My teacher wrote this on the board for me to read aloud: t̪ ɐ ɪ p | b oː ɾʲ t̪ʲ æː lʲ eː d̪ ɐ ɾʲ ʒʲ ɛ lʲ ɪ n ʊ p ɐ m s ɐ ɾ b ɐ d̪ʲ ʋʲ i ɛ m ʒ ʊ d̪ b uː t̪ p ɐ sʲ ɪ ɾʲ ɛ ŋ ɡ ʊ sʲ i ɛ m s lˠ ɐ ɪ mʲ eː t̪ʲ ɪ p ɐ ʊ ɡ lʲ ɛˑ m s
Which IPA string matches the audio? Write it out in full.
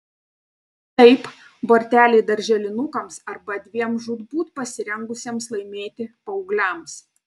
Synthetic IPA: t̪ ɐ ɪ p | b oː ɾʲ t̪ʲ æː lʲ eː d̪ ɐ ɾʲ ʒʲ ɛ lʲ ɪ n ʊ k ɐ m s ɐ ɾ b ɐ d̪ʲ ʋʲ i ɛ m ʒ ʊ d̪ b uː t̪ p ɐ sʲ ɪ ɾʲ ɛ ŋ ɡ ʊ sʲ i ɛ m s lˠ ɐ ɪ mʲ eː t̪ʲ ɪ p ɐ ʊ ɡ lʲ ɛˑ m s